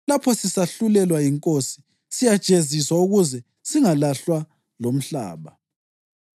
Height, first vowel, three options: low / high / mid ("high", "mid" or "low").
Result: low